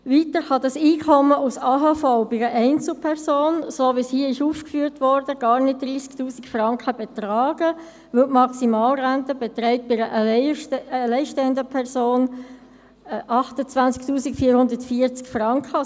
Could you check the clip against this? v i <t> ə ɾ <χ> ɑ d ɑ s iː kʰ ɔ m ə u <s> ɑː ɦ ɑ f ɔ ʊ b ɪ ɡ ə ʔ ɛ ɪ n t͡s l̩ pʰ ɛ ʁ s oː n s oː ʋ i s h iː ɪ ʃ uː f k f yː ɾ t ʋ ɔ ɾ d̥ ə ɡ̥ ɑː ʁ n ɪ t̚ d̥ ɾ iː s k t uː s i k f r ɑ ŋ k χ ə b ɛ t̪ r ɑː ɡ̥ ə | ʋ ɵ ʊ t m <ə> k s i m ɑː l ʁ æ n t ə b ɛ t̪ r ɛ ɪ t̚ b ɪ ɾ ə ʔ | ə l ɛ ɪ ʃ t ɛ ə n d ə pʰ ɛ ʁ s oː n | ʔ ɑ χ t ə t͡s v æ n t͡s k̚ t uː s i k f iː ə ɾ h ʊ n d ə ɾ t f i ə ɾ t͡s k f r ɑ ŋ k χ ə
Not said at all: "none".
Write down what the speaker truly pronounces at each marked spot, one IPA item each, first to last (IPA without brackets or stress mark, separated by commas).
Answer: t, χ, s, ɑ